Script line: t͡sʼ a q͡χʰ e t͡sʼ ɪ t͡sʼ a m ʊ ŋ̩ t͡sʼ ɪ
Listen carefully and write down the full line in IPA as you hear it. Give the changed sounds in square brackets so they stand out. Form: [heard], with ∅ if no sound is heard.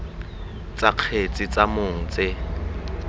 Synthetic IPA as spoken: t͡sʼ a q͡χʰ e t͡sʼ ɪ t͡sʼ a m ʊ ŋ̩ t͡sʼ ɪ